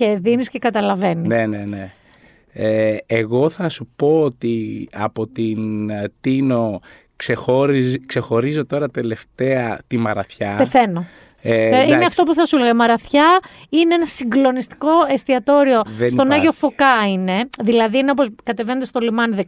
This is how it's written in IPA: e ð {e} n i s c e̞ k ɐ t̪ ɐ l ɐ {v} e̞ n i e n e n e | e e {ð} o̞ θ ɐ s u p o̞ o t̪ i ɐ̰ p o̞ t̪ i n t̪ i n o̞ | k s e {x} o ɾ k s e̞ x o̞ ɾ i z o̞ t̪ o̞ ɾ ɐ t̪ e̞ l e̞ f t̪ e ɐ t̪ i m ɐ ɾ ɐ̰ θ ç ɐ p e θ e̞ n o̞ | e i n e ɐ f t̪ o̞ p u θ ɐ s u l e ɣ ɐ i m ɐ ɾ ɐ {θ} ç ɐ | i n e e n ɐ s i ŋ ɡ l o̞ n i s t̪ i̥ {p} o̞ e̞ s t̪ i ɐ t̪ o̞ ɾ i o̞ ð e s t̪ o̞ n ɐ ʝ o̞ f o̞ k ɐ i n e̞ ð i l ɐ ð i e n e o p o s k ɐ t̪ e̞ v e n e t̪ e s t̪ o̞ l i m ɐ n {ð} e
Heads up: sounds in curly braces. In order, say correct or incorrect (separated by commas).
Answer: incorrect, correct, incorrect, correct, correct, incorrect, correct